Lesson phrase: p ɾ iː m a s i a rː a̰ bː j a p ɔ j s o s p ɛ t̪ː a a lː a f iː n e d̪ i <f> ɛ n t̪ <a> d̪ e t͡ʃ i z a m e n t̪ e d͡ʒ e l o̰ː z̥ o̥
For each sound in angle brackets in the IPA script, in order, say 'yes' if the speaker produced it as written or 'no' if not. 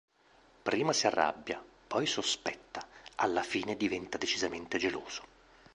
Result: no, yes

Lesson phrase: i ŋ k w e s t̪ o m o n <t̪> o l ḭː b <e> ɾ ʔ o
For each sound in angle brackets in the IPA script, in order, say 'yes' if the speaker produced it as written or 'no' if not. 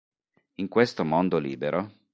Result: no, yes

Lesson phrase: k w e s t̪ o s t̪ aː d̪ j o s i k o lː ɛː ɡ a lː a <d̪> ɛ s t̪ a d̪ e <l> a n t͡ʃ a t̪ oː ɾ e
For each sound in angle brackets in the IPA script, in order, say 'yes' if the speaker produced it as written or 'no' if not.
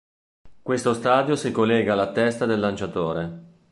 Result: no, no

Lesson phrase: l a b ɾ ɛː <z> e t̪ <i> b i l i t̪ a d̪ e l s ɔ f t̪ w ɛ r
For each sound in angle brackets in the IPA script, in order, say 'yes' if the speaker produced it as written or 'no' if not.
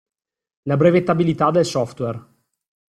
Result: no, no

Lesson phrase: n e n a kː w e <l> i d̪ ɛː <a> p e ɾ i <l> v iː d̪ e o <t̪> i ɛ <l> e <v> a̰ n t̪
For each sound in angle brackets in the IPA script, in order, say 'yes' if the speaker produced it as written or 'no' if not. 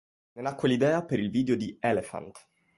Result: yes, yes, yes, no, yes, no

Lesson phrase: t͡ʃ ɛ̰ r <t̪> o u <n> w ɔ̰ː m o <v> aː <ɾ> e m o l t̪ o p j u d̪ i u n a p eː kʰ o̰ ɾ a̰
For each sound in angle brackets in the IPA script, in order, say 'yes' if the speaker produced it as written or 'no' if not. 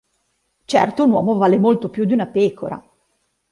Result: yes, yes, yes, no

